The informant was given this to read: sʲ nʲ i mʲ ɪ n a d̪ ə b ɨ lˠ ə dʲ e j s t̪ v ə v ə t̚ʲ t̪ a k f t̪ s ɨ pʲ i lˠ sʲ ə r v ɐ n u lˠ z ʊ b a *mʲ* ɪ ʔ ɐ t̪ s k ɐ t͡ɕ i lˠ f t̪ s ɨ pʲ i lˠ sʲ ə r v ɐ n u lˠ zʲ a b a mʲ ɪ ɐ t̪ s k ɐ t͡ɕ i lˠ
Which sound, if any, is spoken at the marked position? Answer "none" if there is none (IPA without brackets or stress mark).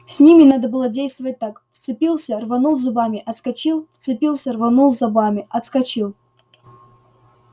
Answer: mʲ